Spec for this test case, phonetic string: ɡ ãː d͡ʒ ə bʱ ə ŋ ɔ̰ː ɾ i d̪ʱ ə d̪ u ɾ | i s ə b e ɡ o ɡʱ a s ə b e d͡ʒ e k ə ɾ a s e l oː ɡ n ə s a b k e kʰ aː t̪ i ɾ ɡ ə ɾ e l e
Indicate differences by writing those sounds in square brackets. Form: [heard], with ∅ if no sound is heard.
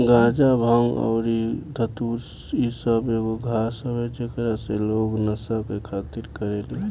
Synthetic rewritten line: ɡ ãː d͡ʒ [a] bʱ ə ŋ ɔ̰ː ɾ i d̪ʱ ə [t̪] u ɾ | i s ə b e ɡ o ɡʱ a s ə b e d͡ʒ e k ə ɾ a s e l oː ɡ n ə s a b k e kʰ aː t̪ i ɾ [k] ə ɾ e l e